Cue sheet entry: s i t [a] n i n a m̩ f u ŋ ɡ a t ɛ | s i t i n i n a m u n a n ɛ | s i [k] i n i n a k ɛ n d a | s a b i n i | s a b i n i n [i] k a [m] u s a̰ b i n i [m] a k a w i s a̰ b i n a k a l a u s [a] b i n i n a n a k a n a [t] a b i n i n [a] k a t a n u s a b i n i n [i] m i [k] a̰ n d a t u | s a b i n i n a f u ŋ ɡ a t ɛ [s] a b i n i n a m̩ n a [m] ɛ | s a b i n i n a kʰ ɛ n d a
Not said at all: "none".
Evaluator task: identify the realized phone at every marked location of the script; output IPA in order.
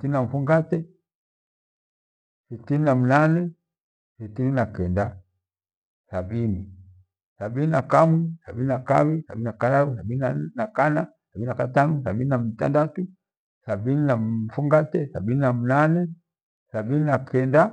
i, t, a, m, n, a, s, a, a, t, s, n

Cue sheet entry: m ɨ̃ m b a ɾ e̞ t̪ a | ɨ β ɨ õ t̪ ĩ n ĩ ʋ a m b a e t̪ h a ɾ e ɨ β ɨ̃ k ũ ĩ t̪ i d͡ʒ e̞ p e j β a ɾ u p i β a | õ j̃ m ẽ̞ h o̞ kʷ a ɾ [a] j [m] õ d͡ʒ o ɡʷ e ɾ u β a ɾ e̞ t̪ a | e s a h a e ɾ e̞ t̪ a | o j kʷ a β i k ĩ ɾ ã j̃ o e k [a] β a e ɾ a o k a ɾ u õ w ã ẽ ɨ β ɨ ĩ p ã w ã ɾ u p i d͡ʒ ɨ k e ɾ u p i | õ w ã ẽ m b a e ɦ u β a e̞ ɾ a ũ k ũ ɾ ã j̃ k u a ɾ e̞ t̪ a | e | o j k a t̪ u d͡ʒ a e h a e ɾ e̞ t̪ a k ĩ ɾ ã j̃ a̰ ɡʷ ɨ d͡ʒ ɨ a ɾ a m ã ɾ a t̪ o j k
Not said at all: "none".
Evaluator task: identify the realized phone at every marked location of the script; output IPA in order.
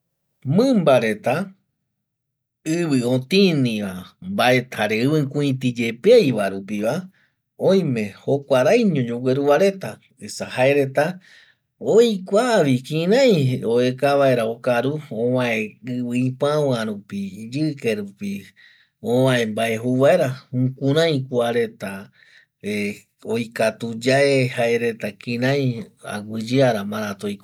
a, ɲ, a

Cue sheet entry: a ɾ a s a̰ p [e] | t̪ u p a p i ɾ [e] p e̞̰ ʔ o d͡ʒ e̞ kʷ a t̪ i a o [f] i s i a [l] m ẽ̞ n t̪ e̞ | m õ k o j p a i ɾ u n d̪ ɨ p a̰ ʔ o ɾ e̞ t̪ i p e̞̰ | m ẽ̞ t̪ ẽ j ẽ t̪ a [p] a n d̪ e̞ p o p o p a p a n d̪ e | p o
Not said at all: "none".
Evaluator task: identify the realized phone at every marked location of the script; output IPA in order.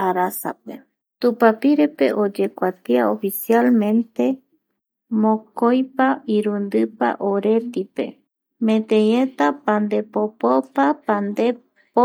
e, e, f, l, p

